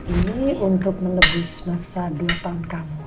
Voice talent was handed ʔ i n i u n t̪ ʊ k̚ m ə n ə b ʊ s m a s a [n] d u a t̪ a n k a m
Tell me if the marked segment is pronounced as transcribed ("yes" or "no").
no